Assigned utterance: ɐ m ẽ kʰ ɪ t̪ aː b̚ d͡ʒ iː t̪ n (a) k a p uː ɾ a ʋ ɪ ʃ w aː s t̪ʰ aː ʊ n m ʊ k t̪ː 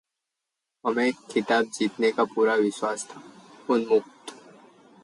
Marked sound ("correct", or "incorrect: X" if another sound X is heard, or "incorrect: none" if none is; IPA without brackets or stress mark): incorrect: e